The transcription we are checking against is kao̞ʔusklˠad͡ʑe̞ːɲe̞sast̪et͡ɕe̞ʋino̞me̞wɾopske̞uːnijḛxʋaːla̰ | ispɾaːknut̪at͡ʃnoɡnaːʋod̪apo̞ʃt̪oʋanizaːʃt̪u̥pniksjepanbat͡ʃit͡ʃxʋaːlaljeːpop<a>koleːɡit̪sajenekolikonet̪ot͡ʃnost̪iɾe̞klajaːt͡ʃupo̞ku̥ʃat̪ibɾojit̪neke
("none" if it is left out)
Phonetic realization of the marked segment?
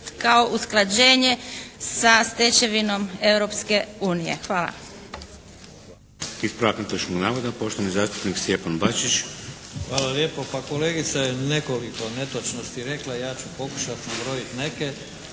a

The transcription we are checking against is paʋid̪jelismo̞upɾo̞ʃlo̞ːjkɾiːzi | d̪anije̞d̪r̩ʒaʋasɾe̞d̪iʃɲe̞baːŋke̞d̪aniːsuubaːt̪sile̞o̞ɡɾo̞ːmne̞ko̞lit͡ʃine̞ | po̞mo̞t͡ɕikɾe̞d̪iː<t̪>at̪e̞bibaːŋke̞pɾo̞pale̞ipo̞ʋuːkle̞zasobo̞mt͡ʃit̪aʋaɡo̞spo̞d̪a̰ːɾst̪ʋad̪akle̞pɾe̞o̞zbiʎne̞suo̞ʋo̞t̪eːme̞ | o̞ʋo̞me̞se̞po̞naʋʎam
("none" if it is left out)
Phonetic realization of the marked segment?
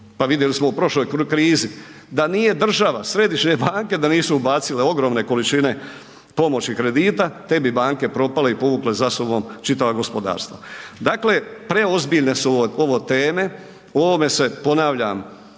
t̪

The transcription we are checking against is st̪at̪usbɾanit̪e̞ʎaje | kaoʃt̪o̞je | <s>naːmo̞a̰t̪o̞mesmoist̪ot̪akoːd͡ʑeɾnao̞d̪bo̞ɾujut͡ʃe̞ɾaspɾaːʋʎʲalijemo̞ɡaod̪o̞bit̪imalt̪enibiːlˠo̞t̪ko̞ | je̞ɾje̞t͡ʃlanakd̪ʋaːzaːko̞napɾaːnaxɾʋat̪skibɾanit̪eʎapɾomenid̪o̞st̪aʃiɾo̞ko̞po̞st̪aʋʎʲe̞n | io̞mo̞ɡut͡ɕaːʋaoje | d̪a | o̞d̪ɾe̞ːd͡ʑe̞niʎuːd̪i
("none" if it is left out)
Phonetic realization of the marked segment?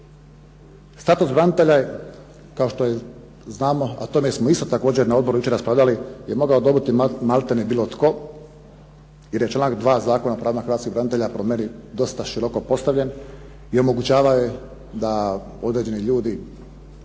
z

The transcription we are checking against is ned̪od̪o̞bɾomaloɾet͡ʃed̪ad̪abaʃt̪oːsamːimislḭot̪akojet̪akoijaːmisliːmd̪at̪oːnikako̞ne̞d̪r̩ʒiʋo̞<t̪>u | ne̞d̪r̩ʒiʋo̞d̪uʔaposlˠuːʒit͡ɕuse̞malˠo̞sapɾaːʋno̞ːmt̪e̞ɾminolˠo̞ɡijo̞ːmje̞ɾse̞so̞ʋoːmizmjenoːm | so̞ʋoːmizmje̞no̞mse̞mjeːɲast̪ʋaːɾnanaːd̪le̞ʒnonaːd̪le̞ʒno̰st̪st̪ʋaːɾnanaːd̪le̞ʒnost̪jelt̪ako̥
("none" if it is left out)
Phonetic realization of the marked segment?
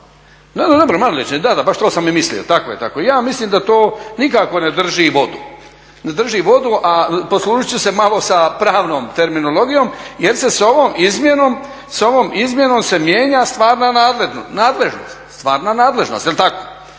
d̪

